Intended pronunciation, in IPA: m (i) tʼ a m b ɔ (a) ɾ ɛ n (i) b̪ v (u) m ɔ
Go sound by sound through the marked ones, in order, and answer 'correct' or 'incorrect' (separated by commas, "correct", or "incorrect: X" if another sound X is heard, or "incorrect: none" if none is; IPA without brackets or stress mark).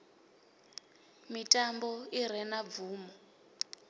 correct, incorrect: i, incorrect: a, incorrect: uː